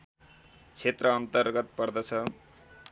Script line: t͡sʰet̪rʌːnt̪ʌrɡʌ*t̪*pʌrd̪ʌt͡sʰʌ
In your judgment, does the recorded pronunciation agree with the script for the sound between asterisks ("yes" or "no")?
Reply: yes